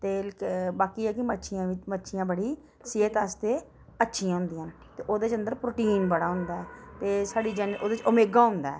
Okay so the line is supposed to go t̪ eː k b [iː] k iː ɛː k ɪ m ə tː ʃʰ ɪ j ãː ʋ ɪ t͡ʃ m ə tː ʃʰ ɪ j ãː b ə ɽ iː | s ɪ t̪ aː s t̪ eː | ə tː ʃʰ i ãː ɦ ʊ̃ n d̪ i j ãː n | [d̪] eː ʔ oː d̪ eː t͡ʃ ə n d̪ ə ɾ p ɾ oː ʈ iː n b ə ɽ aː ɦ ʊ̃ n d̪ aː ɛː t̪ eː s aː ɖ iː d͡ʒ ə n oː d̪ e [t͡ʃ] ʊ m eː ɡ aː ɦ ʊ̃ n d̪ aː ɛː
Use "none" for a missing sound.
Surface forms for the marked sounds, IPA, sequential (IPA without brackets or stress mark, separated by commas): aː, t̪, t͡ʃ